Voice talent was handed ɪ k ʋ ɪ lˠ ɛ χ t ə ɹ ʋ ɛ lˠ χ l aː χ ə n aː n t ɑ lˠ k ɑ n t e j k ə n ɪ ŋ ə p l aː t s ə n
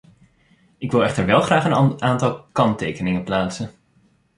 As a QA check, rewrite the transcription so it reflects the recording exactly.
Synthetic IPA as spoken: ɪ k ʋ ɪ lˠ ɛ χ t ə ɹ ʋ ɛ lˠ χ r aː χ ə n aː n t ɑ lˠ k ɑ n t e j k ə n ɪ ŋ ə p l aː t s ə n